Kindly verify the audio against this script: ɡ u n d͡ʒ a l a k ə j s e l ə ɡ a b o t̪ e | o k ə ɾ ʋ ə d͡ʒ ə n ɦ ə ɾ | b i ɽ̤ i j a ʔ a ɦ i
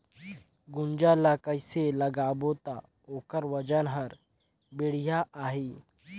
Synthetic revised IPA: ɡ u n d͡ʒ a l a k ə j s e l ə ɡ a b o t̪ a | o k ə ɾ ʋ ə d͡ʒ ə n ɦ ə ɾ | b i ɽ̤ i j a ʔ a ɦ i